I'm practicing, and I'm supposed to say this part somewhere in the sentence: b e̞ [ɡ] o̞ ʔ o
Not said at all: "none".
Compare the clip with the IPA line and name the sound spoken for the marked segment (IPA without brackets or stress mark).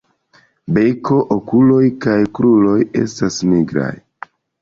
k